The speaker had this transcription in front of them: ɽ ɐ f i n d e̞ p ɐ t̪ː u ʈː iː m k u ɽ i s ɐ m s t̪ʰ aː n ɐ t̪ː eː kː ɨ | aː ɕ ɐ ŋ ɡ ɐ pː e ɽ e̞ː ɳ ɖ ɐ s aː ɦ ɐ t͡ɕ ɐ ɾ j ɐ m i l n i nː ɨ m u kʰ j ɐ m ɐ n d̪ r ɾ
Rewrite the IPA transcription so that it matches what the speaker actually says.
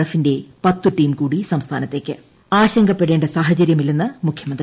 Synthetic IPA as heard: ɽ ɐ f i n d e̞ p ɐ t̪ː u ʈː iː m k uː ɽ i s ɐ m s t̪ʰ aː n ɐ t̪ː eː kː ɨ | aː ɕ ɐ ŋ ɡ ɐ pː e ɽ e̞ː ɳ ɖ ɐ s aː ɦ ɐ t͡ɕ ɐ ɾ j ɐ m i l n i nː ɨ m u kʰ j ɐ m ɐ n d̪ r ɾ